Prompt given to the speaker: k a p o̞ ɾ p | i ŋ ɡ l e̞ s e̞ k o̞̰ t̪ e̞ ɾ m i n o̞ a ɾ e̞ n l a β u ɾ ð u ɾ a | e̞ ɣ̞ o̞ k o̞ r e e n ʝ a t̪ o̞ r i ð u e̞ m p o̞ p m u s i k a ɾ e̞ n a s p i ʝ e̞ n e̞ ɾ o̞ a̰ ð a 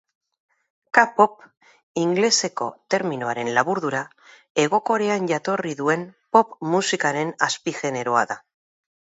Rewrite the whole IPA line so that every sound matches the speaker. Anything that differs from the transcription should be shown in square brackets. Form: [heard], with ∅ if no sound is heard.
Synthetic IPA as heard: k a p o̞ [∅] p | i ŋ ɡ l e̞ s e̞ k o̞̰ t̪ e̞ ɾ m i n o̞ a ɾ e̞ n l a β u ɾ ð u ɾ a | e̞ ɣ̞ o̞ k o̞ [ɾ] e [a] n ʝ a t̪ o̞ r i ð u e̞ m p o̞ p m u s i k a ɾ e̞ n a s p i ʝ e̞ n e̞ ɾ o̞ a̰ ð a